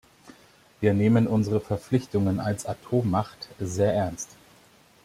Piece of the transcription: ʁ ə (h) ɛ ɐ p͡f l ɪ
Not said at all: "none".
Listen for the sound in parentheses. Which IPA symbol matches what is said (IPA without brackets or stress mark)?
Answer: f